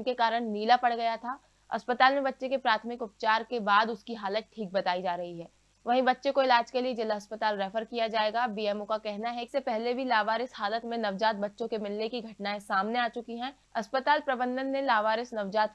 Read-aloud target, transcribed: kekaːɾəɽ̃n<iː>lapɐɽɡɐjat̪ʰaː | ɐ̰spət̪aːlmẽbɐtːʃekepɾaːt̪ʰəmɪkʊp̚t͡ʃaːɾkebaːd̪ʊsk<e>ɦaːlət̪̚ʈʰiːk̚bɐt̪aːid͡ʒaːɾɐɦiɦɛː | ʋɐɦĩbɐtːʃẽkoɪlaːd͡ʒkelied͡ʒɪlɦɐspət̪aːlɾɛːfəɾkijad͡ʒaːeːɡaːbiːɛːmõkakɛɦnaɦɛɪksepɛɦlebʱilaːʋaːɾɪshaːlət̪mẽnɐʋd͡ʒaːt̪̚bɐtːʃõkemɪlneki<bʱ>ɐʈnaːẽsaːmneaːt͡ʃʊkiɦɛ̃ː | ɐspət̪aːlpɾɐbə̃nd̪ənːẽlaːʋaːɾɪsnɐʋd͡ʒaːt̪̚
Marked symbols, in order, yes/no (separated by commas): yes, no, no